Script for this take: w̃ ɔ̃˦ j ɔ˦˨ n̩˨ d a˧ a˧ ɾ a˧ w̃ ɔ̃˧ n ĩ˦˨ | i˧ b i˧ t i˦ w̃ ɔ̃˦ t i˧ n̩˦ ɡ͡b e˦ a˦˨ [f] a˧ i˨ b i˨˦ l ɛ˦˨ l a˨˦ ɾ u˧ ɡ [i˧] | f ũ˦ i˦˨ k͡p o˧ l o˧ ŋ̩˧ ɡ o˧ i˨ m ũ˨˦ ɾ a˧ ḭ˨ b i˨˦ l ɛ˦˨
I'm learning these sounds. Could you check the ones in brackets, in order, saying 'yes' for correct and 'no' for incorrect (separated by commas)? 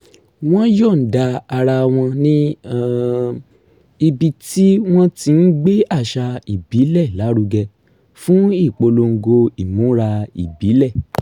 no, no